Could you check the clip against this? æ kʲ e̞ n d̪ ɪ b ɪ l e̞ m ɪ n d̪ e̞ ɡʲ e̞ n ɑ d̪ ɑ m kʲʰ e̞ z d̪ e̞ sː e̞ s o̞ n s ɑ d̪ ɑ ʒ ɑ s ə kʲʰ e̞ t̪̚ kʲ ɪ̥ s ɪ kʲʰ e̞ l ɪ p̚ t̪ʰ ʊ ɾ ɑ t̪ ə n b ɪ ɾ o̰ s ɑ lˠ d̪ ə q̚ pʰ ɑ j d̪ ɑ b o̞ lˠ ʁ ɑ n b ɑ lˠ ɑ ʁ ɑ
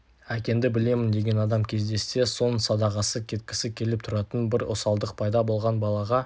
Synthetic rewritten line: æ kʲ e̞ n d̪ ɪ b ɪ l e̞ m ɪ n d̪ e̞ ɡʲ e̞ n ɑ d̪ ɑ m kʲʰ e̞ z d̪ e̞ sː e̞ s o̞ n s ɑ d̪ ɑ ʁ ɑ s ə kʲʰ e̞ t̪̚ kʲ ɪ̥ s ɪ kʲʰ e̞ l ɪ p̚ t̪ʰ ʊ ɾ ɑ t̪ ə n b ɪ ɾ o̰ s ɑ lˠ d̪ ə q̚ pʰ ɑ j d̪ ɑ b o̞ lˠ ʁ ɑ n b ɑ lˠ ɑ ʁ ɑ